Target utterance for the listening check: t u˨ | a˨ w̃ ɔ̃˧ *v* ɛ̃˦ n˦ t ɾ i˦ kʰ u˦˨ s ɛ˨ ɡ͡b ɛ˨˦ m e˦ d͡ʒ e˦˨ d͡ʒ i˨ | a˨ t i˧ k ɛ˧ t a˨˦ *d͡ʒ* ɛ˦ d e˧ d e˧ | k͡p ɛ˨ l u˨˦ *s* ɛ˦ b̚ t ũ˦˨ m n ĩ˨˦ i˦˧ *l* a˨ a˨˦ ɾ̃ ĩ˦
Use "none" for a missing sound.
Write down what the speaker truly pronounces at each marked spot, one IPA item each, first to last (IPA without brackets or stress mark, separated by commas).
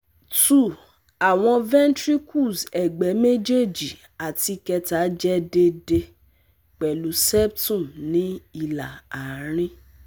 v, d͡ʒ, s, l